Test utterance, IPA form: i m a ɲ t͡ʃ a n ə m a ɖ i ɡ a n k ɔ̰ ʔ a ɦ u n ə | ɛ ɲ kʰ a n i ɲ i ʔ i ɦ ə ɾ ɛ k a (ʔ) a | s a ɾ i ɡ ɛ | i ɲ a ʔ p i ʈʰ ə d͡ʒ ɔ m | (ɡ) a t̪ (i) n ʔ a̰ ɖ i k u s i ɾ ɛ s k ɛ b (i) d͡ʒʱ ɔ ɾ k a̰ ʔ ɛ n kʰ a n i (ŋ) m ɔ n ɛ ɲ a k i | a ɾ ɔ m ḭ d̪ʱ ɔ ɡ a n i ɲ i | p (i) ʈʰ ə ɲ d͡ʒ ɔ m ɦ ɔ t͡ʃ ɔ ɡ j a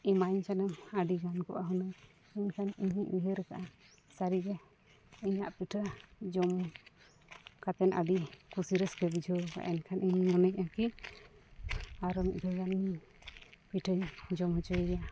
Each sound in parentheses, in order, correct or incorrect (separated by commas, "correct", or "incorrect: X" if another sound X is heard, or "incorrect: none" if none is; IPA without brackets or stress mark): correct, incorrect: k, incorrect: ɛ, correct, incorrect: ɲ, correct